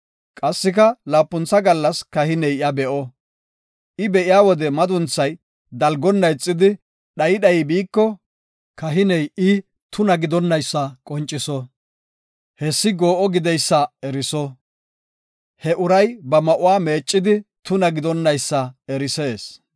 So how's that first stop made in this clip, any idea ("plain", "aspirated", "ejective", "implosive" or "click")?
ejective